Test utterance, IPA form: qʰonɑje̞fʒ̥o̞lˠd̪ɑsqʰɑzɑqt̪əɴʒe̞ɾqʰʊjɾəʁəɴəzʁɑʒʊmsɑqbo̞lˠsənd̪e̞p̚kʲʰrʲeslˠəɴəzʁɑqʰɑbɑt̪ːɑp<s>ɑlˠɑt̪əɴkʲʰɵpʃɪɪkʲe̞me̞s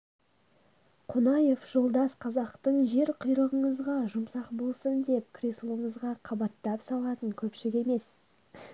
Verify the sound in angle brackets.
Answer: correct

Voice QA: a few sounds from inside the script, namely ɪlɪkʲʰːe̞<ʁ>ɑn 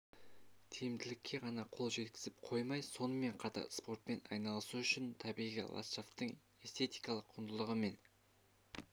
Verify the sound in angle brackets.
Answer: correct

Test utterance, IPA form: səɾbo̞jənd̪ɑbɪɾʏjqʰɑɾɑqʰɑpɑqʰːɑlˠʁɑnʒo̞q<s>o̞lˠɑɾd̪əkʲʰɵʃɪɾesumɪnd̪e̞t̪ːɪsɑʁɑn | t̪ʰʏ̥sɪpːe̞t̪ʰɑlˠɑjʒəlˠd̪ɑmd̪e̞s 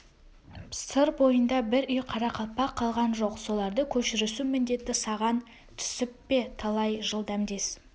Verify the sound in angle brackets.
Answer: correct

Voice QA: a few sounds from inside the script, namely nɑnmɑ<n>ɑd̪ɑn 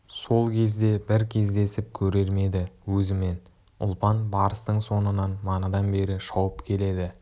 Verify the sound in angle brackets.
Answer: correct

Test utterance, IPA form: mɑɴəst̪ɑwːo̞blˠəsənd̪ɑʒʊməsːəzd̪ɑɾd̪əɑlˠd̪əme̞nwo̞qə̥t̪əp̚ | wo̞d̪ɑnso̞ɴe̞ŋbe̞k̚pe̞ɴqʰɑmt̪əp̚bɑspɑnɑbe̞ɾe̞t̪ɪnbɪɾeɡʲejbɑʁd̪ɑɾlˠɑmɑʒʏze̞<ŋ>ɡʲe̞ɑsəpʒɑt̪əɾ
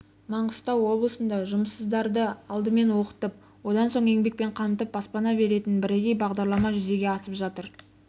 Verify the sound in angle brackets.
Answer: incorrect: none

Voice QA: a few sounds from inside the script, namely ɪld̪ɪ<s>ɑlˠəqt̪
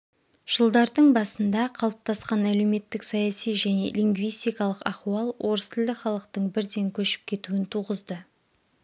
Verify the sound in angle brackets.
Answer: incorrect: χ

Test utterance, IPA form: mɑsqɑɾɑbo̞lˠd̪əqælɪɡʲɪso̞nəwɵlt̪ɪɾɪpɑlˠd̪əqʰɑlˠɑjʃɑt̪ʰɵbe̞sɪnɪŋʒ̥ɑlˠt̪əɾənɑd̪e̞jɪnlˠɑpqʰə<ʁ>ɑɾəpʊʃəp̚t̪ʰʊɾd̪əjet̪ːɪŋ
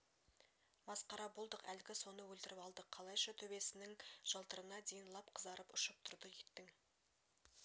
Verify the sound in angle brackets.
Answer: incorrect: z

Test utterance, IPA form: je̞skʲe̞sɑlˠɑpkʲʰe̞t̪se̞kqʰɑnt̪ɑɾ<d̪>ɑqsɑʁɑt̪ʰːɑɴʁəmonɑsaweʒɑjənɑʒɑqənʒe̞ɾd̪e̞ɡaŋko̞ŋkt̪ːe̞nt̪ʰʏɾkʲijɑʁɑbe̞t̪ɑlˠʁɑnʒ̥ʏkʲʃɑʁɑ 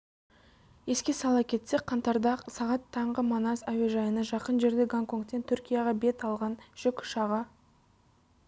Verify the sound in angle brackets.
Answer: correct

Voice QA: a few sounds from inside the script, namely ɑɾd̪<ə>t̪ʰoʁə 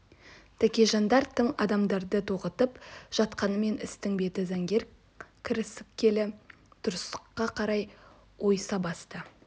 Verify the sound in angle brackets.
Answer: correct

